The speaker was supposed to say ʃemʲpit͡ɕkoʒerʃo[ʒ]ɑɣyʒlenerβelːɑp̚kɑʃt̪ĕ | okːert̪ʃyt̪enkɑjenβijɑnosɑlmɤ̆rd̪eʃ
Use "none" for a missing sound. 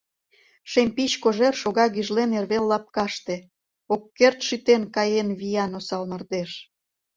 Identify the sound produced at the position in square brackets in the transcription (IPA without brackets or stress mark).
ɣ